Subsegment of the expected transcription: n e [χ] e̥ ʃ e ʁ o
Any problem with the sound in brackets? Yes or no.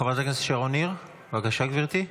yes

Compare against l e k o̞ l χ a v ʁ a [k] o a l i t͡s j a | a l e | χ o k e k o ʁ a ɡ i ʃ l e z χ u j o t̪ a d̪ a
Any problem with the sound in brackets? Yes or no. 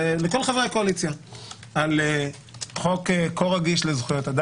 no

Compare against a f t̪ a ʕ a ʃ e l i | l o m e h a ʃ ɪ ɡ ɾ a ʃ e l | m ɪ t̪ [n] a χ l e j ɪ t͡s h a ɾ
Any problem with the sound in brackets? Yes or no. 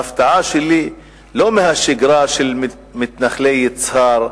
no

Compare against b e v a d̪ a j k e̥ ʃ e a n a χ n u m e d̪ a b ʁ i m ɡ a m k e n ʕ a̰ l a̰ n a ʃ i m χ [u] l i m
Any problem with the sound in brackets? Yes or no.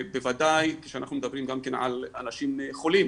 yes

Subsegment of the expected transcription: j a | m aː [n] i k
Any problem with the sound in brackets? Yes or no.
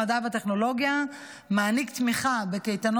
no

